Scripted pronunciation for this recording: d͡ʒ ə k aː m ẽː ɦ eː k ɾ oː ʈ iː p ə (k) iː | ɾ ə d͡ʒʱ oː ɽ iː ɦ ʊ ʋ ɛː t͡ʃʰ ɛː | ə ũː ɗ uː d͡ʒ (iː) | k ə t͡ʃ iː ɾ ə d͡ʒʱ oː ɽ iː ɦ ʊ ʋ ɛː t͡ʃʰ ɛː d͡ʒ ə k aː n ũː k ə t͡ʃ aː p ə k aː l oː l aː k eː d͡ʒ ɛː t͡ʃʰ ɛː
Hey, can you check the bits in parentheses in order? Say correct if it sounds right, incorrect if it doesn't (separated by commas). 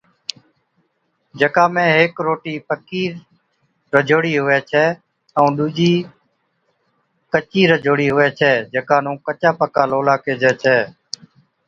correct, correct